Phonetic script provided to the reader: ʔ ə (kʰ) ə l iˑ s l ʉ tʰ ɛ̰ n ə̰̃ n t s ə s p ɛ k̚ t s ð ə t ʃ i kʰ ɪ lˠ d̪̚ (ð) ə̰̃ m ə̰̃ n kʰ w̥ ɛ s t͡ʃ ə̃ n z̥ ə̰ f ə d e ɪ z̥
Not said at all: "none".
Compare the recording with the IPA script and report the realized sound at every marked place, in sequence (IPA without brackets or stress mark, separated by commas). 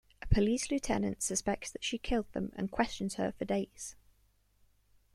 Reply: pʰ, ð